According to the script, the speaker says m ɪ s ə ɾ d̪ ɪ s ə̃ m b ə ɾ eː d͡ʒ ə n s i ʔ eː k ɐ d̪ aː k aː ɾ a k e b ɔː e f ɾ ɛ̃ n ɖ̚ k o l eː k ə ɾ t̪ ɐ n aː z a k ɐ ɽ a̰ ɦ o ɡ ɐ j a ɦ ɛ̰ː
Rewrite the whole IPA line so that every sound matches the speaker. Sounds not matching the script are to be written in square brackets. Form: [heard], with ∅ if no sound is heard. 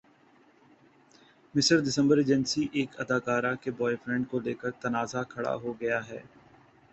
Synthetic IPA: m ɪ s ə ɾ d̪ ɪ s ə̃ m b ə ɾ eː d͡ʒ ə n s i ʔ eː k ɐ d̪ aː k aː ɾ a k e b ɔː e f ɾ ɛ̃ [ɳ] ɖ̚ k o l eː k ə ɾ t̪ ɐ n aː z a [kʰ] ɐ ɽ a̰ ɦ o ɡ ɐ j a ɦ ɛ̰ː